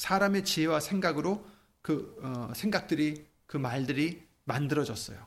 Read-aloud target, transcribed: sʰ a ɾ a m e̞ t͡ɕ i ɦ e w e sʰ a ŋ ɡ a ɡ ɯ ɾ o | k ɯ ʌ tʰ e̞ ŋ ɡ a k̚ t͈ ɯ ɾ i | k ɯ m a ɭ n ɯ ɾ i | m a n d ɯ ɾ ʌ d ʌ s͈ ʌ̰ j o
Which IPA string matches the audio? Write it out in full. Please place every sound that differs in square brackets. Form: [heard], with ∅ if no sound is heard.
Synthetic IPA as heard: sʰ a ɾ a m e̞ t͡ɕ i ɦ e w [a] sʰ [e] ŋ ɡ a ɡ ɯ ɾ o | k ɯ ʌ [sʰ] e̞ ŋ ɡ a k̚ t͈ ɯ ɾ i | k ɯ m a ɭ [d] ɯ ɾ i | m a n d ɯ ɾ ʌ [d͡ʑ] ʌ s͈ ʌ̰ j o